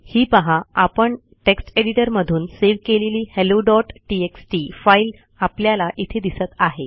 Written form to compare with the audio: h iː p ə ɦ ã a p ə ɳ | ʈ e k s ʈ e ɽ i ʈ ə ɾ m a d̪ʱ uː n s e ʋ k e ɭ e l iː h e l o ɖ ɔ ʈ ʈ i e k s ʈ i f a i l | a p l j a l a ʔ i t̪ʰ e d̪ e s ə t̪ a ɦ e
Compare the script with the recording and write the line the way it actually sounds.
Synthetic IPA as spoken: h iː p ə ɦ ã a p ə ɳ | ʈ e k s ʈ e ɽ i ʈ ə ɾ m ə d̪ʱ uː n s e ʋ k e l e l iː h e l o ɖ ɔ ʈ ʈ i e k s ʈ i f a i l | a p l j a l a ʔ i t̪ʰ e d̪ i s ə t̪ a ɦ e